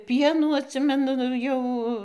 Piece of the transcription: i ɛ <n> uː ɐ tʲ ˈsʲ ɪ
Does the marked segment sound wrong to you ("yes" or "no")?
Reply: no